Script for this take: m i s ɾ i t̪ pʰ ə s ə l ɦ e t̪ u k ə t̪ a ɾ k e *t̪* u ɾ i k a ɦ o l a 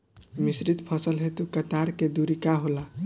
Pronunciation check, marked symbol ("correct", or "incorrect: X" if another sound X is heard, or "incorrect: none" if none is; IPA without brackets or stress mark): incorrect: d̪